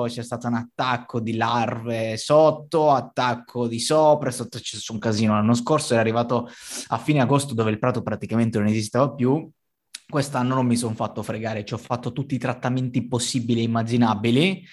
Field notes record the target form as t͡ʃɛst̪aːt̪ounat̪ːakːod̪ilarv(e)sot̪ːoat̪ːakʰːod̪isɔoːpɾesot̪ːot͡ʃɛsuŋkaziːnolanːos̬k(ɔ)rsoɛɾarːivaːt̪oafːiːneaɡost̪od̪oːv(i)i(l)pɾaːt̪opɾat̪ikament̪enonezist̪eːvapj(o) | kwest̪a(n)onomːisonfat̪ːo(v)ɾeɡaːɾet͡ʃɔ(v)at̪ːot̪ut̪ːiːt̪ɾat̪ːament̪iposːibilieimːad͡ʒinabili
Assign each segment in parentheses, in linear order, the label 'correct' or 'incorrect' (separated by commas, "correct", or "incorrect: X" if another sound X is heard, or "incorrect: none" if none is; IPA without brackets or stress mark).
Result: correct, incorrect: o, incorrect: e, correct, incorrect: u, incorrect: nː, incorrect: f, incorrect: f